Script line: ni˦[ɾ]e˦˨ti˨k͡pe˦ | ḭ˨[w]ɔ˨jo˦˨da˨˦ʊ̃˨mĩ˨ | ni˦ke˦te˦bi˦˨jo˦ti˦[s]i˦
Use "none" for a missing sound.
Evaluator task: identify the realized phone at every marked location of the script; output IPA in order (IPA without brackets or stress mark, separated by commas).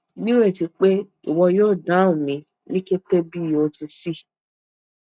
ɾ, w, s